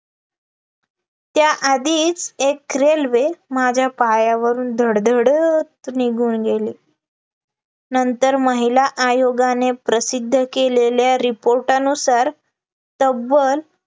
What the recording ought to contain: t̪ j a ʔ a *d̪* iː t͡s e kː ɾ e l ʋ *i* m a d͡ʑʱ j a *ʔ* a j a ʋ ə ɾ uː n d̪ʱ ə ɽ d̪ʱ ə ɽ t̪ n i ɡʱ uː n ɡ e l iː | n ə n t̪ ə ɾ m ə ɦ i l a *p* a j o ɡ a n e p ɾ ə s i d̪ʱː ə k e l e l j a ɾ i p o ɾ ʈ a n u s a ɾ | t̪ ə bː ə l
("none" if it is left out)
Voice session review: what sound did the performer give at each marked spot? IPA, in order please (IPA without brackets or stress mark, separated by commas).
d̪, e, p, ʔ